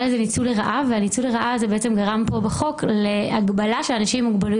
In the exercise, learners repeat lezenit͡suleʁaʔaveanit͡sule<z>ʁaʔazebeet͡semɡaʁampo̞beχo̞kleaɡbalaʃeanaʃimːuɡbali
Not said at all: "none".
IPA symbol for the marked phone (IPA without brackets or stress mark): none